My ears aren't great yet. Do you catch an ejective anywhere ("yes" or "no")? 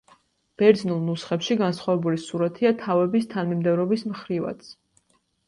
no